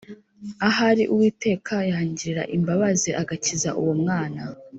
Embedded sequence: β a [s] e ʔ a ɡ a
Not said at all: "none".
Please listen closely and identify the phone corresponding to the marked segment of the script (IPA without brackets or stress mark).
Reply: z